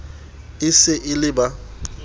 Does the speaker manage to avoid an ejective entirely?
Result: yes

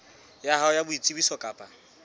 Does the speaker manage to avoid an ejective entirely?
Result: no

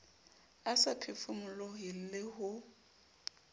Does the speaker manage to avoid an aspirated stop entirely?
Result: no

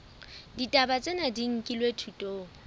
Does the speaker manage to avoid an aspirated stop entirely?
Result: no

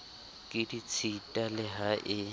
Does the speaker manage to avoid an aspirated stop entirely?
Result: no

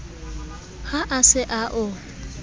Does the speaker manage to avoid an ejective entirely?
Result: yes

